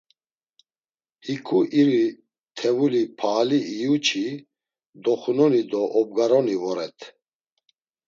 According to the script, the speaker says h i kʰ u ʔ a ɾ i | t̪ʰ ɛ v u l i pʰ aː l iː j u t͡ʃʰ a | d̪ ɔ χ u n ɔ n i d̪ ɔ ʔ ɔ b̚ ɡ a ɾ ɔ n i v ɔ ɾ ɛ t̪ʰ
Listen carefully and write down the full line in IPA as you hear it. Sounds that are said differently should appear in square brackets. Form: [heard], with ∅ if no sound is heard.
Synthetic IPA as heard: h i kʰ u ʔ [i] ɾ i | t̪ʰ ɛ v u l i pʰ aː l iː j u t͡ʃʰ [i] | d̪ ɔ χ u n ɔ n i d̪ ɔ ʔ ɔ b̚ ɡ a ɾ ɔ n i v ɔ ɾ ɛ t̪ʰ